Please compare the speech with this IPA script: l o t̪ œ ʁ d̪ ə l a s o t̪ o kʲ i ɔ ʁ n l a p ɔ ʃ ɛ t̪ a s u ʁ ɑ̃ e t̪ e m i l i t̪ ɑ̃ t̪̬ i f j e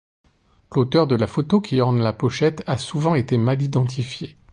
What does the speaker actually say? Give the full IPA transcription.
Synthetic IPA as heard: l o t̪ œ ʁ d̪ ə l a f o t̪ o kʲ i ɔ ʁ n l a p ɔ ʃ ɛ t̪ a s u v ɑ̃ e t̪ e m a l i d̪ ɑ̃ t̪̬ i f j e